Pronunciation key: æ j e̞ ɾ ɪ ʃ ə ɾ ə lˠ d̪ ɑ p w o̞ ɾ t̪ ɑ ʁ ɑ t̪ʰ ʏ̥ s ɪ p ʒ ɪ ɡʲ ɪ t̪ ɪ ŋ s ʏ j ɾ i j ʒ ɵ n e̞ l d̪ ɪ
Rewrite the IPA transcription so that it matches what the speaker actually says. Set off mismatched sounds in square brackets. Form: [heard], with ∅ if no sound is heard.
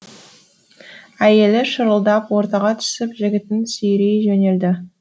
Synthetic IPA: æ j e̞ [l] ɪ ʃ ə ɾ ə lˠ d̪ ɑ p w o̞ ɾ t̪ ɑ ʁ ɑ t̪ʰ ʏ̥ s ɪ p ʒ ɪ ɡʲ ɪ t̪ ɪ [n] s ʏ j ɾ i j ʒ ɵ n e̞ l d̪ ɪ